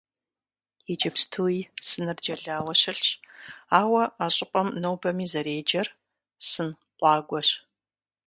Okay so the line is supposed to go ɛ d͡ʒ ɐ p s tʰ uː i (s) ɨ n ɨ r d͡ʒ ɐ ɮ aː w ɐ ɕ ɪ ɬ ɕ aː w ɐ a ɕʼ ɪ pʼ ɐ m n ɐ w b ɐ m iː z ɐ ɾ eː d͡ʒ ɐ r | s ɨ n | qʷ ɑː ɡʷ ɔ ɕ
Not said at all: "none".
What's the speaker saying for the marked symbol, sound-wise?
s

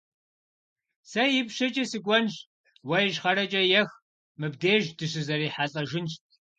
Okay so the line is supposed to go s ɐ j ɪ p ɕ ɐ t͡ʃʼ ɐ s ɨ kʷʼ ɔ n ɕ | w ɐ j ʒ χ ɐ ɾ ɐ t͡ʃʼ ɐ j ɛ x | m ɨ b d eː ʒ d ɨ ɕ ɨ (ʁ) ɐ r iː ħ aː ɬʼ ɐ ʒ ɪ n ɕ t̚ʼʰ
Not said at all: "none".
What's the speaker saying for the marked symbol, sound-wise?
z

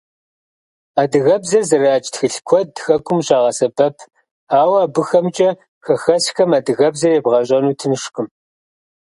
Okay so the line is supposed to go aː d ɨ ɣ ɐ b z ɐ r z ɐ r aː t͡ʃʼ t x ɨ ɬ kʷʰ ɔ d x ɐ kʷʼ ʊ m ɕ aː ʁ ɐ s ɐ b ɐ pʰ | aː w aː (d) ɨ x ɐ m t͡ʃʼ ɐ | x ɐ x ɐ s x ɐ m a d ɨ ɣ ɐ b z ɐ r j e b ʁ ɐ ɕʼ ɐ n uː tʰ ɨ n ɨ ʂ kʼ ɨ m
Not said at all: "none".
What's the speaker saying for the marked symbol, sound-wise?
b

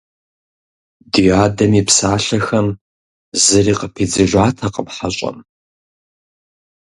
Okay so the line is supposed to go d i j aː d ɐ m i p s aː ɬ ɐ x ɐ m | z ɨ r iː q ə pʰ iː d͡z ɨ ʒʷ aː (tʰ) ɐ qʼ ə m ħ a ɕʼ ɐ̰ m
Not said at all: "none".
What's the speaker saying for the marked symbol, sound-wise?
tʰ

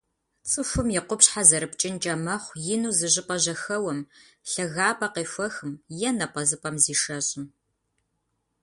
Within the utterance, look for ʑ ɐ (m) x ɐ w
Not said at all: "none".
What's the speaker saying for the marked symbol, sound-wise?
none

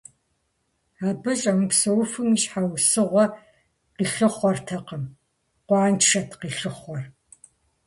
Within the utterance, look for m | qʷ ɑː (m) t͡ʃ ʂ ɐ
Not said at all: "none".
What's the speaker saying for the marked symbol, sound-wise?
n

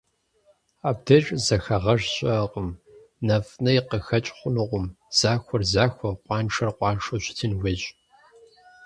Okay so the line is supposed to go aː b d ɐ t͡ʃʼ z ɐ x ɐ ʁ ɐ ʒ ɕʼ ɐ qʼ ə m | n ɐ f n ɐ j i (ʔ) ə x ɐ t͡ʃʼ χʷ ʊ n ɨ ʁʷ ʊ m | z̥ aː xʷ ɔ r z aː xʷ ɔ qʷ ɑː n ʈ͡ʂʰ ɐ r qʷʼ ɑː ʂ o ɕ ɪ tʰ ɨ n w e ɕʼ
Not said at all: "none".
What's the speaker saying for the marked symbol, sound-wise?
q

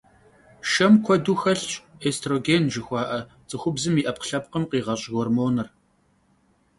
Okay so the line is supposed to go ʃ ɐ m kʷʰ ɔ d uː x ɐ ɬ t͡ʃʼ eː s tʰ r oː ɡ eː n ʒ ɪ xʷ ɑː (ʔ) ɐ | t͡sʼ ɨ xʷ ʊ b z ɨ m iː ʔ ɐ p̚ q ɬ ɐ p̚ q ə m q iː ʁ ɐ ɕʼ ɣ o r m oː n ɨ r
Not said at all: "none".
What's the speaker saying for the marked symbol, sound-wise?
ʔ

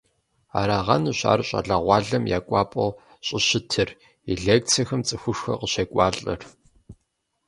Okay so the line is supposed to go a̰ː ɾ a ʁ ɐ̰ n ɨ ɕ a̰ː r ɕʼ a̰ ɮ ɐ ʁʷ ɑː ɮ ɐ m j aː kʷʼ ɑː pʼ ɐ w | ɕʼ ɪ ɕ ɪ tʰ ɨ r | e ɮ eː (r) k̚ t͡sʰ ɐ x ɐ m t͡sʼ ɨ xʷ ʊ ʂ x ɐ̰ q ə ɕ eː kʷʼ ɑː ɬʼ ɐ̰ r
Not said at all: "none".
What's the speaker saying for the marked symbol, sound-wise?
none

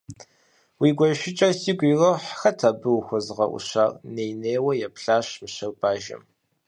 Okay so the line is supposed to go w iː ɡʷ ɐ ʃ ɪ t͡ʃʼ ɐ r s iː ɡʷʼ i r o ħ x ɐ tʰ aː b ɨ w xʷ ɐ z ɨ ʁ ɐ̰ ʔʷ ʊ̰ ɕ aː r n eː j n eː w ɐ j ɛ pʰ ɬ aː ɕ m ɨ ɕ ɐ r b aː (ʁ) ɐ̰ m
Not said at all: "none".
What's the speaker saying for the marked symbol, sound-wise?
ʒ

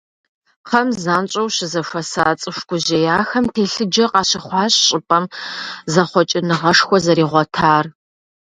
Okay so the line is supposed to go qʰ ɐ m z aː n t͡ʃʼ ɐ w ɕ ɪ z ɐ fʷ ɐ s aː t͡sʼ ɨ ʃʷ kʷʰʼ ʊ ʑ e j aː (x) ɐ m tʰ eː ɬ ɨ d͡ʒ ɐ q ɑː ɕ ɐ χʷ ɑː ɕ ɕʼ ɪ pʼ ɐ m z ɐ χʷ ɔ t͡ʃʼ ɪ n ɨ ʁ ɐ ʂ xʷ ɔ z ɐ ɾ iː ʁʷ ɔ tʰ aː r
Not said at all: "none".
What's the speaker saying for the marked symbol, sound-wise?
x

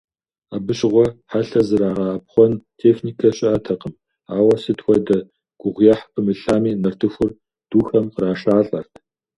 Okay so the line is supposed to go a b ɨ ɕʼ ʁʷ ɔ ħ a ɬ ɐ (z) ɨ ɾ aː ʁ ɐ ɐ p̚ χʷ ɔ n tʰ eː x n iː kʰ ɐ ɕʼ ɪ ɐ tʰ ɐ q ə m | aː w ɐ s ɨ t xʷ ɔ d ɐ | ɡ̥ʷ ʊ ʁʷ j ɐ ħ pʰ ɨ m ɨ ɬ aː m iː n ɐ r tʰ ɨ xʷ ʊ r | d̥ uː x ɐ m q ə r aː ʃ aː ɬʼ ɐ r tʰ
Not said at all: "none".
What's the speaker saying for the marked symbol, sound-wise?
z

